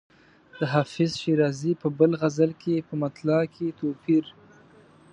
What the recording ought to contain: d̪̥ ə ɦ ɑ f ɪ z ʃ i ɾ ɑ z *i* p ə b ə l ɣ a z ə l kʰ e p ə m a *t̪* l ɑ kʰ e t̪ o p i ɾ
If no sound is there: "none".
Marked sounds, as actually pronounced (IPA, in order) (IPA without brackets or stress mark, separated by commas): i, t̪